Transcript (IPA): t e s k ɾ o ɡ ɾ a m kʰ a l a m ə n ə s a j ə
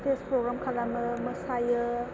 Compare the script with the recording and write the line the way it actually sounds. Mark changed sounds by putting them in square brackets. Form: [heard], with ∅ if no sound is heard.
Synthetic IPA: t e s [p] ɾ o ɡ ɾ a m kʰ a l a m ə [m] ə s a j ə